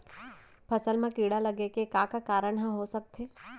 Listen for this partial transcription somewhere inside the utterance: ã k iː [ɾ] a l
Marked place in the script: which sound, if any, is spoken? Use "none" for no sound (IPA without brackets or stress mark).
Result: ɽ